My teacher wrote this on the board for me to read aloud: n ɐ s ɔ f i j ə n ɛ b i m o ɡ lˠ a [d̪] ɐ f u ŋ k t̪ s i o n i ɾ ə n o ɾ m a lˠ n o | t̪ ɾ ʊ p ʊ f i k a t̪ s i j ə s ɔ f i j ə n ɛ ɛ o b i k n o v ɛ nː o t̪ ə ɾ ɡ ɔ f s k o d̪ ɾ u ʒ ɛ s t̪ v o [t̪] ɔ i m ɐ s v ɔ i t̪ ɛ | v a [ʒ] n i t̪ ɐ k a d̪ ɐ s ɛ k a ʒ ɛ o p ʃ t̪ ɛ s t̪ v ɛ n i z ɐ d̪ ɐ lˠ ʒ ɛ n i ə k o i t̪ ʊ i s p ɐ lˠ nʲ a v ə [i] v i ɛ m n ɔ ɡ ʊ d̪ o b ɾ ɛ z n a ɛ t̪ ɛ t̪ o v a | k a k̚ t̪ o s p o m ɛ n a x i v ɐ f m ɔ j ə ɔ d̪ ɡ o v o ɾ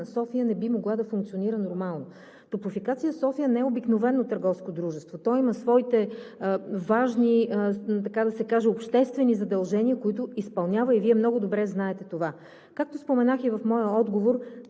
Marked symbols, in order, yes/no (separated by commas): yes, yes, yes, yes